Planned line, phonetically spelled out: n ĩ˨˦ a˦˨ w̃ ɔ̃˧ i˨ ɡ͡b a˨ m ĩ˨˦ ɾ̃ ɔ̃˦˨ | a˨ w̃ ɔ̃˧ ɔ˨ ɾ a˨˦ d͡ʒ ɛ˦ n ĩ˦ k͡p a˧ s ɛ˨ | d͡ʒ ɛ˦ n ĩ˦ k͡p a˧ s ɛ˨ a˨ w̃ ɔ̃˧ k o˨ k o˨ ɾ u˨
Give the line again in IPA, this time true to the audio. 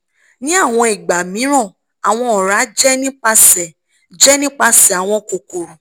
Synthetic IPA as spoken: n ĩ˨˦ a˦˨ w̃ ɔ̃˧ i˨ ɡ͡b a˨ m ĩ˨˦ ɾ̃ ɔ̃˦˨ | a˨ w̃ ɔ̃˧ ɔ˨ ɾ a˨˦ d͡ʒ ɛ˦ n ĩ˦ k͡p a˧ s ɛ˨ | d͡ʒ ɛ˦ n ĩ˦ k͡p a˧ s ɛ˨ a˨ w̃ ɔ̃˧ k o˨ k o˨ ɾ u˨

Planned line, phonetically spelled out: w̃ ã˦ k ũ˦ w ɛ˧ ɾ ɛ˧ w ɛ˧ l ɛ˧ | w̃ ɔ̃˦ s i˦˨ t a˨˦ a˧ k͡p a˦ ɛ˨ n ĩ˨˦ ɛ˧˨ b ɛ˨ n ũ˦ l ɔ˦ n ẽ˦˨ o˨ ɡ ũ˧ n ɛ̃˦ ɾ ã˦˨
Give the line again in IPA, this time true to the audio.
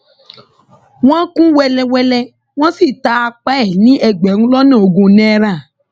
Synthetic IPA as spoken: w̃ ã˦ k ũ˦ w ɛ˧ l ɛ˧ w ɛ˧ l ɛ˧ | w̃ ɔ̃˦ s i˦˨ t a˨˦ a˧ k͡p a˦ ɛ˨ n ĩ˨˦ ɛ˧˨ ɡ͡b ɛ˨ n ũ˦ l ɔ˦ n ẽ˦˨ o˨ ɡ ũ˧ n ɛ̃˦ ɾ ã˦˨

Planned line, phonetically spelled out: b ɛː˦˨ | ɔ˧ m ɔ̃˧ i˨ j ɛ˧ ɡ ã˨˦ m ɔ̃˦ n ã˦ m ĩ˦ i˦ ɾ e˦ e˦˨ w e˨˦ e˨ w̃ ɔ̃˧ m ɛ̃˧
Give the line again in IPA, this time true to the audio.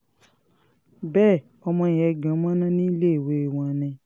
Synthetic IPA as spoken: b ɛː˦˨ | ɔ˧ m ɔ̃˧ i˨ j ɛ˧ ɡ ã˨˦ m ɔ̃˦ n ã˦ n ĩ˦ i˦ l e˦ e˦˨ w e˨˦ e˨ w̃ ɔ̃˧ n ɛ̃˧

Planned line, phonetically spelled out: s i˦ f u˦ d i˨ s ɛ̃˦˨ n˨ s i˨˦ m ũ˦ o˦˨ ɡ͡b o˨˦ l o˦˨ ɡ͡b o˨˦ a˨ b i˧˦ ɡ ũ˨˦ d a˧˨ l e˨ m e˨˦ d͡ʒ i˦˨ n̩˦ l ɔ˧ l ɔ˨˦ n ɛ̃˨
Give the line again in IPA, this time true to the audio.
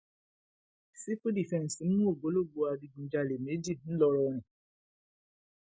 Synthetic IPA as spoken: s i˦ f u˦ d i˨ f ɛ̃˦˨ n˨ s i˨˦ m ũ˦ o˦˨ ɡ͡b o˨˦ l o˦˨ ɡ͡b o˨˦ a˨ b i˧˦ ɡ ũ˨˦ d͡ʒ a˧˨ l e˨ m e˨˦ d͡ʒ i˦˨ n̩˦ l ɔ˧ ɾ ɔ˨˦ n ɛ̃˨

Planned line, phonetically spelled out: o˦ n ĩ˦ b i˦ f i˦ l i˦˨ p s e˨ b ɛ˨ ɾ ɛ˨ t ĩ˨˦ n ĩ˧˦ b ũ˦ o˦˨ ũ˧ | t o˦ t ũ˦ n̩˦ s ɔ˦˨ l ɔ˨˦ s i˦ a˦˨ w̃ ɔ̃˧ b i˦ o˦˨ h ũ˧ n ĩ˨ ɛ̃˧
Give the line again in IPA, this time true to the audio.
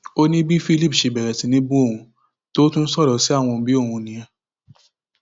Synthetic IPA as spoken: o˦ n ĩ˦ b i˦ f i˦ l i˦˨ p ʃ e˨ b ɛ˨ ɾ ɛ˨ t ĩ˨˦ n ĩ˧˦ b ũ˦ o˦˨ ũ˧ | t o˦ t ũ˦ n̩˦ s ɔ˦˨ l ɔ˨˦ s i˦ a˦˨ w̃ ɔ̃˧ b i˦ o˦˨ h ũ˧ n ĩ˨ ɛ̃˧

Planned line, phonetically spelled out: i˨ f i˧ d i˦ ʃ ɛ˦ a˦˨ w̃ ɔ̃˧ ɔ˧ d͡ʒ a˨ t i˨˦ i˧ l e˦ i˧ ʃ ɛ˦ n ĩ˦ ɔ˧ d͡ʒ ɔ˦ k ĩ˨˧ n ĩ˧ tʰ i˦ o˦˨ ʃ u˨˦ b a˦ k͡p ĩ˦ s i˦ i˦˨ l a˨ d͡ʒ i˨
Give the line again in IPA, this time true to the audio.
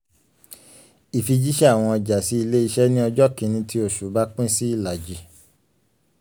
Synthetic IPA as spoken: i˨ f i˧ d͡ʒ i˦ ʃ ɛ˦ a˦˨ w̃ ɔ̃˧ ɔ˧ d͡ʒ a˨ s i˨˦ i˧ l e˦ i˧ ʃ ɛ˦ n ĩ˦ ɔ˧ d͡ʒ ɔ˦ k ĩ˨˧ n ĩ˧ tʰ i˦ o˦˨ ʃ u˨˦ b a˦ k͡p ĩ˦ s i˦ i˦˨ l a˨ d͡ʒ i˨

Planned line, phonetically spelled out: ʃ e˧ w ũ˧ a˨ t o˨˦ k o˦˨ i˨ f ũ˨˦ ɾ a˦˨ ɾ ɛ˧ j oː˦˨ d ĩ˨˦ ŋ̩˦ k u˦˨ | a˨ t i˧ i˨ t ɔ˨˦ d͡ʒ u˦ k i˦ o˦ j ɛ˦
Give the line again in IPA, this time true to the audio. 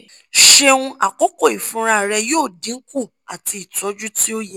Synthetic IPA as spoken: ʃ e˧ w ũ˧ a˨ k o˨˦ k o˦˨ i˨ f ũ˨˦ ɾ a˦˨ ɾ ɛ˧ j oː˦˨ d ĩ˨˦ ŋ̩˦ k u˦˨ | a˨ t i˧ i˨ t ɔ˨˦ d͡ʒ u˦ t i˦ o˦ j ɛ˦

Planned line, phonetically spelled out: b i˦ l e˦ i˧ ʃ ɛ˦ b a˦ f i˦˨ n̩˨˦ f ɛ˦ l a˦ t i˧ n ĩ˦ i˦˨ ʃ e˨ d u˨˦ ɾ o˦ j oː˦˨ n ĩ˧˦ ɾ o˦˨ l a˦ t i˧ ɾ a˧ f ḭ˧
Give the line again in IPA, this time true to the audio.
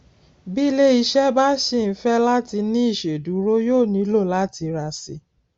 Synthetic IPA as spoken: b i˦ l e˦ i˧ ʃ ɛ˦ b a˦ ʃ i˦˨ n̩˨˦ f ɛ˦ l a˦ t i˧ n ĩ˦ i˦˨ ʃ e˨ d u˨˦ ɾ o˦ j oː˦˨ n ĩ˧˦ l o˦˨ l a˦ t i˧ ɾ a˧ s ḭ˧

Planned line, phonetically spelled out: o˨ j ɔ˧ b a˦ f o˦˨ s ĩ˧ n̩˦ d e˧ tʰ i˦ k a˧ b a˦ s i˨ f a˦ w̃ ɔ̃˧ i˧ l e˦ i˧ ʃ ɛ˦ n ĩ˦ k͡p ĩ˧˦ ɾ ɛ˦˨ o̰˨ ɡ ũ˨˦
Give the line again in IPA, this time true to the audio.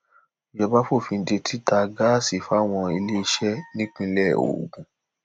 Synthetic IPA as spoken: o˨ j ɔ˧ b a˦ f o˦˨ f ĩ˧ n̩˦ d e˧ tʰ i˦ t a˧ ɡ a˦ s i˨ f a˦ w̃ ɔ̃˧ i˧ l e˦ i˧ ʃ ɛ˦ n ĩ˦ k͡p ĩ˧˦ l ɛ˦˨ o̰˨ ɡ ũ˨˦

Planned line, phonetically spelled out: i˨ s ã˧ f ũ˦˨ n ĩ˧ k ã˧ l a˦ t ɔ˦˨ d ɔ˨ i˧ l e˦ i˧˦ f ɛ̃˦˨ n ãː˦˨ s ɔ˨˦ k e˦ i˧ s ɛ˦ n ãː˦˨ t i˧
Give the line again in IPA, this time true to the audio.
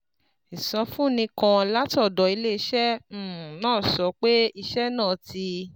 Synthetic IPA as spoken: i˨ s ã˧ f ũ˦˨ n ĩ˧ k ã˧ l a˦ t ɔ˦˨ d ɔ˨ i˧ l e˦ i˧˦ ʃ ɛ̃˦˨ n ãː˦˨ s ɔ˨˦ k͡p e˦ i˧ ʃ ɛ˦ n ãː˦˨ t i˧

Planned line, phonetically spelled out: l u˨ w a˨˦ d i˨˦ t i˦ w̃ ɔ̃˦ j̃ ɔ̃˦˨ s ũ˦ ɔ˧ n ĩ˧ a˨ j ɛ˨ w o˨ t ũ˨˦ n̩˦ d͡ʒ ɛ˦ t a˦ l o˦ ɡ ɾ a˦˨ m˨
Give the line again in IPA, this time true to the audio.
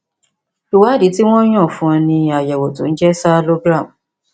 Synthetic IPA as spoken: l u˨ w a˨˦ d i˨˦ t i˦ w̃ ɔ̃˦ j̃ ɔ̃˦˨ f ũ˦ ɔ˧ n ĩ˧ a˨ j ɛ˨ w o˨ t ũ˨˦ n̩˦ d͡ʒ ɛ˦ s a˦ l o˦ ɡ ɾ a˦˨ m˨

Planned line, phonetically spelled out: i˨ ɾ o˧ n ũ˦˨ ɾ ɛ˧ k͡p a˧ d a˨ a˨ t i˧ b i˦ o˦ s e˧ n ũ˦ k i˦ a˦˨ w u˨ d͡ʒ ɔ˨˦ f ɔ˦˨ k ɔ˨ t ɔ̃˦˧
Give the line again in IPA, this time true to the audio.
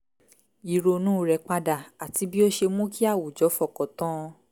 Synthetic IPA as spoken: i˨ ɾ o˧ n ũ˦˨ ɾ ɛ˧ k͡p a˧ d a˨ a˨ t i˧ b i˦ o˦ ʃ e˧ m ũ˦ k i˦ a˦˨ w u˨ d͡ʒ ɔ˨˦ f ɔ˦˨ k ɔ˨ t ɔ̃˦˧

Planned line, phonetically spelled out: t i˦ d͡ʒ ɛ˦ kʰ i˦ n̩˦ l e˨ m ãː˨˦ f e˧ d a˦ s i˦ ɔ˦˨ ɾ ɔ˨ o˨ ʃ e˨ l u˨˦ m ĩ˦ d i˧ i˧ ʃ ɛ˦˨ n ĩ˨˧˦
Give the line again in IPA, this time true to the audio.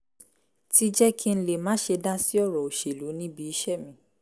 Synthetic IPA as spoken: t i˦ d͡ʒ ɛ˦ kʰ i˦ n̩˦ l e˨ m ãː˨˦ ʃ e˧ d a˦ s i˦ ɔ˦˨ ɾ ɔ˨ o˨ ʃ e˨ l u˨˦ n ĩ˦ b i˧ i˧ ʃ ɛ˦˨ m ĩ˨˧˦

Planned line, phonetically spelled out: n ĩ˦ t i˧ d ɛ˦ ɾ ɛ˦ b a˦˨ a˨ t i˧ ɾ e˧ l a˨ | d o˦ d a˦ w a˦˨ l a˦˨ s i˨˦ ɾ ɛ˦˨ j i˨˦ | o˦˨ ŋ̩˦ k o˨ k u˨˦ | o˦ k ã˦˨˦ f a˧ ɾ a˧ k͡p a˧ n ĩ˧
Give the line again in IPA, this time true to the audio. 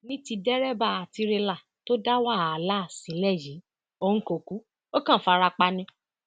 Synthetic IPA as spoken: n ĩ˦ t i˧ d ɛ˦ ɾ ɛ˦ b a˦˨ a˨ t i˧ ɾ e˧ l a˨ | t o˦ d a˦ w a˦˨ l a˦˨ s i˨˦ l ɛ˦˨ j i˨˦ | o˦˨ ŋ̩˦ k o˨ k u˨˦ | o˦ k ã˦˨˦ f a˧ ɾ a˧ k͡p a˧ n ĩ˧

